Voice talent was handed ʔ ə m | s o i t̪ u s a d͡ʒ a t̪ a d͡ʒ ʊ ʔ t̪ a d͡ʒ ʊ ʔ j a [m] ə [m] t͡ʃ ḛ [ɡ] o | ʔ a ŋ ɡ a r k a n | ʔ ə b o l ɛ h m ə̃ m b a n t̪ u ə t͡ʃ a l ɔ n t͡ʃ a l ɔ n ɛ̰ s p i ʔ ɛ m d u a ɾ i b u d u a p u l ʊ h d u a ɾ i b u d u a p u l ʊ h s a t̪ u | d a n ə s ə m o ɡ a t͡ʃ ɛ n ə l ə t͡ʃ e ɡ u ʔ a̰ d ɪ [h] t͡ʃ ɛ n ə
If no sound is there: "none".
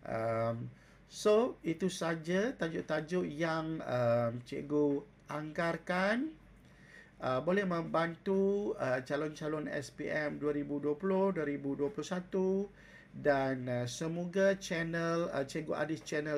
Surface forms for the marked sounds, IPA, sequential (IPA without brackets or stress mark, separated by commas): ŋ, m, ɡ, s